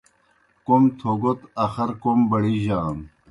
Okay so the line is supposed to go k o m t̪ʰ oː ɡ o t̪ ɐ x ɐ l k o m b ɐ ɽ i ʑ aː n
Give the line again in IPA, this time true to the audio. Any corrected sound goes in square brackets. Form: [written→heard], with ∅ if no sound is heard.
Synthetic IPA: k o m t̪ʰ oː ɡ o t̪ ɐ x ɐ [l→ɾ] k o m b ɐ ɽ i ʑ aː n